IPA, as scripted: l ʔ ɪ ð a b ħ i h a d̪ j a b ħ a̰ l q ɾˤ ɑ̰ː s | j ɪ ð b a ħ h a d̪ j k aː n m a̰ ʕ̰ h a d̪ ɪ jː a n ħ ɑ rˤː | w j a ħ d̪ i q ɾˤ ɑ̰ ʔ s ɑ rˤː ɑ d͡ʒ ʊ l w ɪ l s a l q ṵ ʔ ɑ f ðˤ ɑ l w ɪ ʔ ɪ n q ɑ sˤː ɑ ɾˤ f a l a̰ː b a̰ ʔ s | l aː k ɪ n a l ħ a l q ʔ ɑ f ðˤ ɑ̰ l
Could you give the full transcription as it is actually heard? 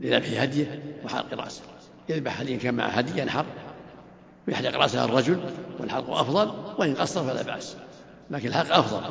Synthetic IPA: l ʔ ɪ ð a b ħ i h a d̪ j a w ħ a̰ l q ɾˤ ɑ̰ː s | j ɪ ð b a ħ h a d̪ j k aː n m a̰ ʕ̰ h a d̪ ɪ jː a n ħ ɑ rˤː | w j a ħ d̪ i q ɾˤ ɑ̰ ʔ s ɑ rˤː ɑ d͡ʒ ʊ l w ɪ l ħ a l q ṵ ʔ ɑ f ðˤ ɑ l w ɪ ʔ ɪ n q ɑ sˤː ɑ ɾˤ f a l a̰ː b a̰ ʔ s | l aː k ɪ n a l ħ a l q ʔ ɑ f ðˤ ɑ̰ l